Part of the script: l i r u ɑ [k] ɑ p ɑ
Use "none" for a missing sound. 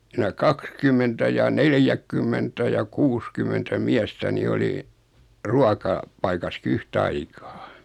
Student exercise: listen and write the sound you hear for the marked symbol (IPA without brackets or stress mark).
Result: k